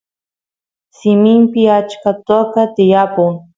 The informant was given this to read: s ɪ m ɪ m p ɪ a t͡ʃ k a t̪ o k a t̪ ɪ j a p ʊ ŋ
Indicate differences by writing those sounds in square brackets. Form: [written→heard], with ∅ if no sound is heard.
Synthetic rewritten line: s ɪ m ɪ m p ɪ a t͡ʃ k a t̪ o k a t̪ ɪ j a p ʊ ŋ